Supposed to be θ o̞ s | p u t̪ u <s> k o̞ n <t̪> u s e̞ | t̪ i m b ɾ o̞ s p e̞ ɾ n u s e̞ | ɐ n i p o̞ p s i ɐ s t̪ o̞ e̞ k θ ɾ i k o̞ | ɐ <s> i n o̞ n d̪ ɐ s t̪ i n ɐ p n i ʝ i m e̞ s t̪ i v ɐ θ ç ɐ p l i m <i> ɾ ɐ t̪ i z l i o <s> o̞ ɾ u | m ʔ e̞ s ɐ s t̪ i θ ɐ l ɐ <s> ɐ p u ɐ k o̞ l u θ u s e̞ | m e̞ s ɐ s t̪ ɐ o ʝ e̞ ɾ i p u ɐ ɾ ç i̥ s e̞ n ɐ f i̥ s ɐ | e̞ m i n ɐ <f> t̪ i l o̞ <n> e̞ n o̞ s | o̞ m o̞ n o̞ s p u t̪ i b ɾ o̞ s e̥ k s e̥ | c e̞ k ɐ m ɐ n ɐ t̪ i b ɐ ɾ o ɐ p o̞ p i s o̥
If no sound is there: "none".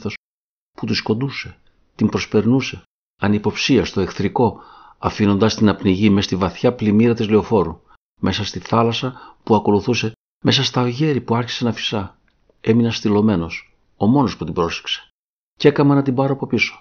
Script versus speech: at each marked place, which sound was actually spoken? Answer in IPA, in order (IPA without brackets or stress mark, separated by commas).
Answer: s, d̪, f, i, f, s, s, m